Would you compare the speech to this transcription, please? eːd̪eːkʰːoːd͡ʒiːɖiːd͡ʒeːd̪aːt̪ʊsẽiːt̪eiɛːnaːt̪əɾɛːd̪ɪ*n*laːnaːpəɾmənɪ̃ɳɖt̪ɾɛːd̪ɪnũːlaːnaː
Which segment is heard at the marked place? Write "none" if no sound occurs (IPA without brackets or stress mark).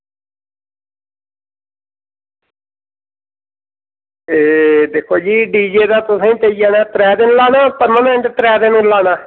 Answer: n